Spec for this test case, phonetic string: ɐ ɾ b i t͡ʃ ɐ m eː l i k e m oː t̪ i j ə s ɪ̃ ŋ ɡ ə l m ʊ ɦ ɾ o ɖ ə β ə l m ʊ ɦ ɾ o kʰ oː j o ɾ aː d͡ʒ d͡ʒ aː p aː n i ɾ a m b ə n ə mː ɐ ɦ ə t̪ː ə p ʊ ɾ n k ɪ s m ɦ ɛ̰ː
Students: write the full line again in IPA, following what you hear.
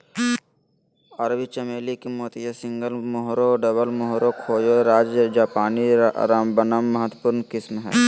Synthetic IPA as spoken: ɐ ɾ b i t͡ʃ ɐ m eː l i k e m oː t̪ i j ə s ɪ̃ ŋ ɡ ə l m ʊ ɦ ɾ o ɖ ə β ə l m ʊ ɦ ɾ o kʰ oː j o ɾ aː d͡ʒ d͡ʒ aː p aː n i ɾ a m b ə n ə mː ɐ ɦ ə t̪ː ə p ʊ ɾ n k ɪ s m ɦ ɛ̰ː